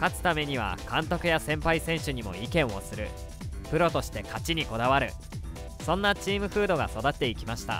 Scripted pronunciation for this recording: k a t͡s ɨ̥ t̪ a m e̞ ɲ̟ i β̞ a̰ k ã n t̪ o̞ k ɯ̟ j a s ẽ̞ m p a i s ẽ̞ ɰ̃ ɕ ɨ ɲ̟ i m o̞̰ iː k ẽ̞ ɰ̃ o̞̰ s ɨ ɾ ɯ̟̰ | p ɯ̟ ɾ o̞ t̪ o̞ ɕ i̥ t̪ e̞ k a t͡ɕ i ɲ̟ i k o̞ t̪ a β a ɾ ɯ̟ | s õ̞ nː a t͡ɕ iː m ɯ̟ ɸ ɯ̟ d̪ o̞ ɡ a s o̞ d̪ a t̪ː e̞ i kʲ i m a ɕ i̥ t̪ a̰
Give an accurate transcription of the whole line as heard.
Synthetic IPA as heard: k a t͡s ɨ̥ t̪ a m e̞ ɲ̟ i β̞ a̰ k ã n t̪ o̞ k ɯ̟ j a s ẽ̞ m p a i s ẽ̞ ɰ̃ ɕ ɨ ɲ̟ i m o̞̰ i k ẽ̞ ɰ̃ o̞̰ s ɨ ɾ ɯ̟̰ | p ɯ̟ ɾ o̞ t̪ o̞ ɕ i̥ t̪ e̞ k a t͡ɕ i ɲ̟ i k o̞ d̪ a β a ɾ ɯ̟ | s õ̞ nː a t͡ɕ iː m ɯ̟ ɸ ɯ̟ː d̪ o̞ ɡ a s o̞ d̪ a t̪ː e̞ i kʲ i m a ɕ i̥ t̪ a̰